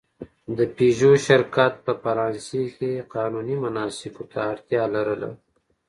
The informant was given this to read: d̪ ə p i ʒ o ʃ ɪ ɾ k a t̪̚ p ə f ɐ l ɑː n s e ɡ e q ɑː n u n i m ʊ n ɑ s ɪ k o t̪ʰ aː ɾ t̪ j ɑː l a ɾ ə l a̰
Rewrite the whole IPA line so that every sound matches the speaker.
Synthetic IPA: d̪ ə p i ʒ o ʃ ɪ ɾ k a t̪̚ p ə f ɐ ɾ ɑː n s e k e q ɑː n u n i m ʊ n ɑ s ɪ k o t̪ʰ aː ɾ t̪ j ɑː l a ɾ ə l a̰